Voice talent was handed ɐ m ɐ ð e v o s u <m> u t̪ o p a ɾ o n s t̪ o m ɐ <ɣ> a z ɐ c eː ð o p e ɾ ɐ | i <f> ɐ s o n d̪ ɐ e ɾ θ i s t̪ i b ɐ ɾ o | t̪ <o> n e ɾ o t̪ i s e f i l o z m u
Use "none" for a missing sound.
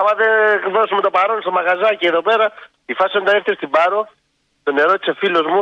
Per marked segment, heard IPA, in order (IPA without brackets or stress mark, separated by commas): m, ɣ, f, o